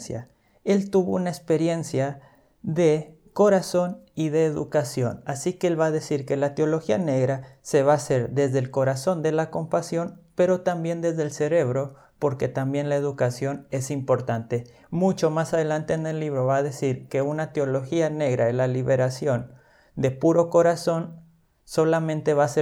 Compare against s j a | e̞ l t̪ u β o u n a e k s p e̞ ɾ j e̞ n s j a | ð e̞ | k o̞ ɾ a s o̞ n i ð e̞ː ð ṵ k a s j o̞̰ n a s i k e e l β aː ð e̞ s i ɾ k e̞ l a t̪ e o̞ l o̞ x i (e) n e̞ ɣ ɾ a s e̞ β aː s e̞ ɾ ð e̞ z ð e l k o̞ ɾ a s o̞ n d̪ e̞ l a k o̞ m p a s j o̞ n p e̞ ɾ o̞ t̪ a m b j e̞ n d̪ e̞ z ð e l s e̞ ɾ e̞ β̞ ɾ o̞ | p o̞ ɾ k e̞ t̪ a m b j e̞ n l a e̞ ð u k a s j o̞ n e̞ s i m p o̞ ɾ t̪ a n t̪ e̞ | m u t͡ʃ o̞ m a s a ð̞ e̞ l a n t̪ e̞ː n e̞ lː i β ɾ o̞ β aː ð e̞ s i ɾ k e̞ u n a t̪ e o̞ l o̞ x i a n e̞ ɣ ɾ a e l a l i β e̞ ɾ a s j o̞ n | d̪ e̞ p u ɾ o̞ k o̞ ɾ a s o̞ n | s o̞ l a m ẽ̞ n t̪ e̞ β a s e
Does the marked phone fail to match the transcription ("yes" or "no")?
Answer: yes